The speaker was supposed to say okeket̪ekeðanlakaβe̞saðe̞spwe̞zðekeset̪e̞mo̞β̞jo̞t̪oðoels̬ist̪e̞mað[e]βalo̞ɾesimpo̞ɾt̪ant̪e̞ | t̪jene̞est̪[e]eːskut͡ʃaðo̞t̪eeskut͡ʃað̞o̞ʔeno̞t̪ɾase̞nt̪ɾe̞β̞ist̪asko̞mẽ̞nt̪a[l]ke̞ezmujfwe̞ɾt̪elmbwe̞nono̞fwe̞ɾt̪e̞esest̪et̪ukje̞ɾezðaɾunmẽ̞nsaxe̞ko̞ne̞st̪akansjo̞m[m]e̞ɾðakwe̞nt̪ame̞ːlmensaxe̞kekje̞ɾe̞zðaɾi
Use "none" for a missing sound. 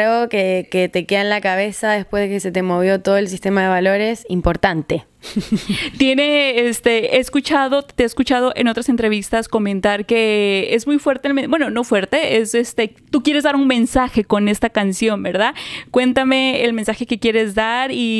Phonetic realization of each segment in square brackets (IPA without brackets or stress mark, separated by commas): e, e, ɾ, b